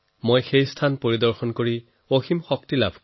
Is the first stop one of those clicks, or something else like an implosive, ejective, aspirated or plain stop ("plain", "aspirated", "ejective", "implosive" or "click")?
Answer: aspirated